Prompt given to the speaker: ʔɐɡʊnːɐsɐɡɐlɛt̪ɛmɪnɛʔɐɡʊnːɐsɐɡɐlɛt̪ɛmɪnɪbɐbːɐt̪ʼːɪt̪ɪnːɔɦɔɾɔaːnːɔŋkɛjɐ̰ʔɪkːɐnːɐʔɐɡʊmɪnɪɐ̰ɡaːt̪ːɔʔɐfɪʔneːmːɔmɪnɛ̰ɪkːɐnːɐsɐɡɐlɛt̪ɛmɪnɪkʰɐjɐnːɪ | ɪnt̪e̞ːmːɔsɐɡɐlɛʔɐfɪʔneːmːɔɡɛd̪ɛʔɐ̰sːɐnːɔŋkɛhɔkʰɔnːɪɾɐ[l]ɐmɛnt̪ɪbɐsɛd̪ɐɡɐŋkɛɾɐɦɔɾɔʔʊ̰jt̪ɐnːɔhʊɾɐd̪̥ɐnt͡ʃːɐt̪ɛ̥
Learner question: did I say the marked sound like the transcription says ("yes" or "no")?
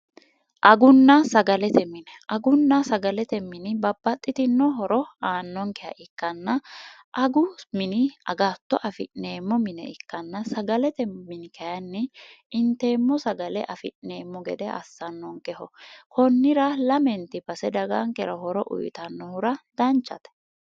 yes